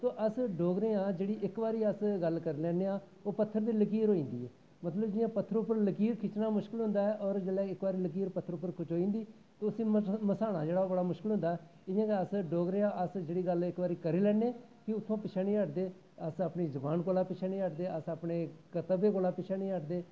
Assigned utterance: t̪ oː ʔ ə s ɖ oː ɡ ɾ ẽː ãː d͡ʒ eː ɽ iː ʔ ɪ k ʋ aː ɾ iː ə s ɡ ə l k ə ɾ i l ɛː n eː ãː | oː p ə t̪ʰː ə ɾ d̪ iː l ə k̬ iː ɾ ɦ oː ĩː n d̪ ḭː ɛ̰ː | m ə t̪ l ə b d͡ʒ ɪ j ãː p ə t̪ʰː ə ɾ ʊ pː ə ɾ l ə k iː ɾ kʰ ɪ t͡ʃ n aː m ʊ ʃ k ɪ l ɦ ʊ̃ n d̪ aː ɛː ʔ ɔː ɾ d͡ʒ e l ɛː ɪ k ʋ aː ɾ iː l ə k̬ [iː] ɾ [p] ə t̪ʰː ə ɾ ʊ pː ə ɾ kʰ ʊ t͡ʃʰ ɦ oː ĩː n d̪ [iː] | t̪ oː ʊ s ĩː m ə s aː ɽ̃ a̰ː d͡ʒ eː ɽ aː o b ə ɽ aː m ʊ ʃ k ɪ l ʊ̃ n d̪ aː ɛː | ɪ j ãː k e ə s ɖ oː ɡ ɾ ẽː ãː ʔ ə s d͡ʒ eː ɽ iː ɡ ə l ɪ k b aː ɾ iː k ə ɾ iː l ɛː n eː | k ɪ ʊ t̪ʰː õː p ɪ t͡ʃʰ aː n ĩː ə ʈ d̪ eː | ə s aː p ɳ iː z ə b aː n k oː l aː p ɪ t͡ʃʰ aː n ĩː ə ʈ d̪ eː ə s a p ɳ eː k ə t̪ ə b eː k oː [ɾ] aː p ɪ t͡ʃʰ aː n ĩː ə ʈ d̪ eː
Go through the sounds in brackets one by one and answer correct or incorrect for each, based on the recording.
correct, correct, correct, incorrect

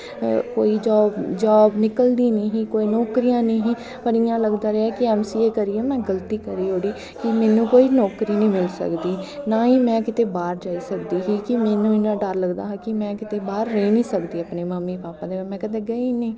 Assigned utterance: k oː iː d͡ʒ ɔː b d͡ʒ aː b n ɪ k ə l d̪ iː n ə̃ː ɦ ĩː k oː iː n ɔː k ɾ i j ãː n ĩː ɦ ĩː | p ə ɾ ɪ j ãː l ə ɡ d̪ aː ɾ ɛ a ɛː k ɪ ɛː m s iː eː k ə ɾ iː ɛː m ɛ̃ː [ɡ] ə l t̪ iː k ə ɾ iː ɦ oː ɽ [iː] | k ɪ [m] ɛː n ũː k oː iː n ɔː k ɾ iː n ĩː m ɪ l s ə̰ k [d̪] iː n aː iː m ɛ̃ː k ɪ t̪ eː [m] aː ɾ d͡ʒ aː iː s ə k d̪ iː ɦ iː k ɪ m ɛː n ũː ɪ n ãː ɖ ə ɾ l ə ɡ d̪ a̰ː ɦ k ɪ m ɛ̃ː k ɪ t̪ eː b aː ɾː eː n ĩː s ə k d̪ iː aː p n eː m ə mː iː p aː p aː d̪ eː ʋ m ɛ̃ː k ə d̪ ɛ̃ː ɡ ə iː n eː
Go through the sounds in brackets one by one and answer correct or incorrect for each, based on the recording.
correct, correct, correct, correct, incorrect

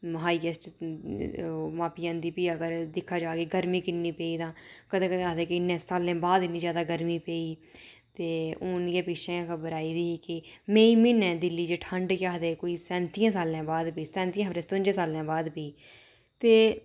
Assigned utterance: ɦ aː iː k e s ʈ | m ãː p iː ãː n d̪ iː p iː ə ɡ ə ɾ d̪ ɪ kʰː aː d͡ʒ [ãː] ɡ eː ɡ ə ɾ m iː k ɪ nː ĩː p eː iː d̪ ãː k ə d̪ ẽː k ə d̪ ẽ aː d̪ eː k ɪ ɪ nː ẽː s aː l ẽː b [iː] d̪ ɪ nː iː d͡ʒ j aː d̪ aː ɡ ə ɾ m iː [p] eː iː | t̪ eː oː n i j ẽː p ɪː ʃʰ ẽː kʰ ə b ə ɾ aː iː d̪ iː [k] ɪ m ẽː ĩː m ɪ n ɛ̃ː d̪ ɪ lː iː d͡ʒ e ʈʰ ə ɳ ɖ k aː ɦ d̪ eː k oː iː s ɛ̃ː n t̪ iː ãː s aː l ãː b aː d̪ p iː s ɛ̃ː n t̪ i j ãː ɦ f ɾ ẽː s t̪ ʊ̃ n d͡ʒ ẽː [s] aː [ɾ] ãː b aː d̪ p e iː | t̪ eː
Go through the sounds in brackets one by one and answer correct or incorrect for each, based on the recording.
incorrect, incorrect, correct, correct, correct, incorrect

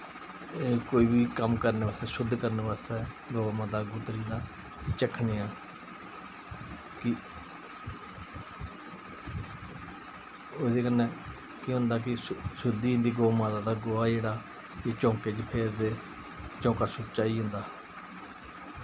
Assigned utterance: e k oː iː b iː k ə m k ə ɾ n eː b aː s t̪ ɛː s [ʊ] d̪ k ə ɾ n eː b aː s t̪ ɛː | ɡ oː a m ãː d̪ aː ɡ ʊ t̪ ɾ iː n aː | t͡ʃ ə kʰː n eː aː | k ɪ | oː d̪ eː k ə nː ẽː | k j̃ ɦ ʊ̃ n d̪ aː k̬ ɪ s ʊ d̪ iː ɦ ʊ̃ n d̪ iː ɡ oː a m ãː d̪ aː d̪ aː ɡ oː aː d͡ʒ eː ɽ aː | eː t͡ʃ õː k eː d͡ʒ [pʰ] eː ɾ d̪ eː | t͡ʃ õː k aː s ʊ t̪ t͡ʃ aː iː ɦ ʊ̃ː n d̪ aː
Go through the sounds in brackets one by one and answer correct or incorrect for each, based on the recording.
correct, correct

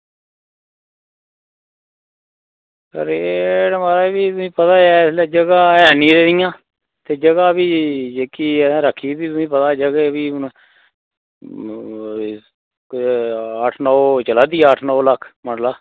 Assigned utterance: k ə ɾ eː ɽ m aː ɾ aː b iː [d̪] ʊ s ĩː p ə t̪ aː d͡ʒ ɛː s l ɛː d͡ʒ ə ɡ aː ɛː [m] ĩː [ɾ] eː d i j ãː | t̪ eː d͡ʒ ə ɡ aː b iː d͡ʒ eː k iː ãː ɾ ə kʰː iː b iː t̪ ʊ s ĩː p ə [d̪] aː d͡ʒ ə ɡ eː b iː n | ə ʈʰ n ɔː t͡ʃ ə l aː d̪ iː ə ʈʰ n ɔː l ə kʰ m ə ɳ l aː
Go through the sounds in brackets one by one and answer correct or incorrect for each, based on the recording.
incorrect, incorrect, correct, incorrect

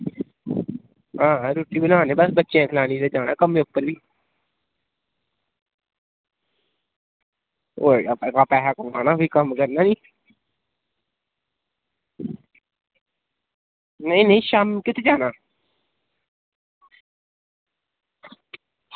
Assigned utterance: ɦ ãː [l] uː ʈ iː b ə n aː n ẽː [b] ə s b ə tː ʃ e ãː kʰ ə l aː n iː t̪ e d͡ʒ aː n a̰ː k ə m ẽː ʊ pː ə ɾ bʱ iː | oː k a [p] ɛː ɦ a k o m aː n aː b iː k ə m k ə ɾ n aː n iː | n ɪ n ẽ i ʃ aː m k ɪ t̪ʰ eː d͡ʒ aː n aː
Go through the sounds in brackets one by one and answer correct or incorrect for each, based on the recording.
incorrect, correct, correct

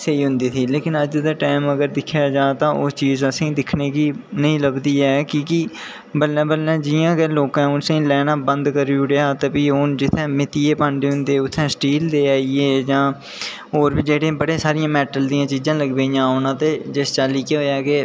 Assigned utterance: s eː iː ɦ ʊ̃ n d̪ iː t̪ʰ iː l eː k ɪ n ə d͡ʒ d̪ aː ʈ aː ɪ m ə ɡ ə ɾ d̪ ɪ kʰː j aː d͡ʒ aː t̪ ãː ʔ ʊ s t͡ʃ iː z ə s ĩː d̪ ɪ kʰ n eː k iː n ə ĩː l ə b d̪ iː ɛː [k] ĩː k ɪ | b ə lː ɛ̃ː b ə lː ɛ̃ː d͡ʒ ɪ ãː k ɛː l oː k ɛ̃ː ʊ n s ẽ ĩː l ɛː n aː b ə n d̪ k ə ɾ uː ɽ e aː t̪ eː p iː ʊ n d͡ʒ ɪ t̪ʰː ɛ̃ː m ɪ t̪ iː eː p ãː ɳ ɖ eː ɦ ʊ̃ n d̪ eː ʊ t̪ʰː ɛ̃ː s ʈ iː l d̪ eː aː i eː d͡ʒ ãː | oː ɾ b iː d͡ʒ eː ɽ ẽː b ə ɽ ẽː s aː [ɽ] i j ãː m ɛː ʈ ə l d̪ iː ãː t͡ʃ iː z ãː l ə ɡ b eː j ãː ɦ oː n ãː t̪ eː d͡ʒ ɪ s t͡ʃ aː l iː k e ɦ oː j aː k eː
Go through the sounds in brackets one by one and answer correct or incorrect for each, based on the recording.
correct, incorrect

